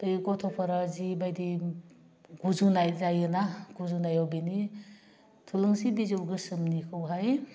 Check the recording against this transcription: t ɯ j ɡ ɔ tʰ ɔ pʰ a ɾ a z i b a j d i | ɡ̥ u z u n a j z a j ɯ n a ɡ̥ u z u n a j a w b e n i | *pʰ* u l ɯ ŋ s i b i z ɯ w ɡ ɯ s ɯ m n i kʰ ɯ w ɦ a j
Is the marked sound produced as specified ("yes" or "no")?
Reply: no